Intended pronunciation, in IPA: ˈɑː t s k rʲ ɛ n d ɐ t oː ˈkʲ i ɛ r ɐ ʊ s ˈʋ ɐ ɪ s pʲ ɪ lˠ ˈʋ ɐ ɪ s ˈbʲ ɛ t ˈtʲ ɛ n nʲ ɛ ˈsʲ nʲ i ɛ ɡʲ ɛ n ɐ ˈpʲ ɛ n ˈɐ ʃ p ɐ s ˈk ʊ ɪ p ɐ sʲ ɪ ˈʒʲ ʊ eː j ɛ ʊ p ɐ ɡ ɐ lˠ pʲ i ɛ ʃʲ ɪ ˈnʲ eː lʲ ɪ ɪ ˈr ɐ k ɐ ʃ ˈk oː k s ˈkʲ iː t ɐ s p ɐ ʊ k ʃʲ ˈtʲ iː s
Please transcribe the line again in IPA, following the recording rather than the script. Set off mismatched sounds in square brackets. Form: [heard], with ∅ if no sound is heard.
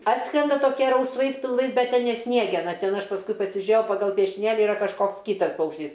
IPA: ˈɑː t s k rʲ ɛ n d ɐ t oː ˈkʲ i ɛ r ɐ ʊ s ˈʋ ɐ ɪ s pʲ ɪ lˠ ˈʋ ɐ ɪ s ˈbʲ ɛ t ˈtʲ ɛ n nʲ ɛ ˈsʲ nʲ i ɛ ɡʲ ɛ n ɐ [ˈtʲ] ɛ n ˈɐ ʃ p ɐ s ˈk ʊ ɪ p ɐ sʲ ɪ ˈʒʲ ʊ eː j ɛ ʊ p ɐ ɡ ɐ lˠ pʲ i ɛ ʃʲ ɪ ˈnʲ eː lʲ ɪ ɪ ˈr ɐ k ɐ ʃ ˈk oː k s ˈkʲ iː t ɐ s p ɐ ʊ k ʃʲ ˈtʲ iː s